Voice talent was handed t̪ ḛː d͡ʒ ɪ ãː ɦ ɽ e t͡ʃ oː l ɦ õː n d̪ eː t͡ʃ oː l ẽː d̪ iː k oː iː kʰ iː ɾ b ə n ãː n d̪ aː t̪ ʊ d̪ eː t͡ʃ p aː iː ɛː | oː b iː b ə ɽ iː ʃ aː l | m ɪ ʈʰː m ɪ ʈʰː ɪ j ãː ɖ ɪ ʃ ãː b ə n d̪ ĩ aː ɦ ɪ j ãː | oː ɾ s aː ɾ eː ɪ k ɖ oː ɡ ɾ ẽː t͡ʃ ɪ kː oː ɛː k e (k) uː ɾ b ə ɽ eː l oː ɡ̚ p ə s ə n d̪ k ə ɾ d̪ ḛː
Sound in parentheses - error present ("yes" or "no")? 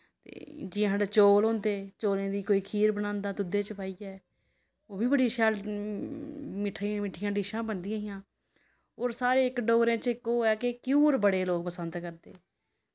no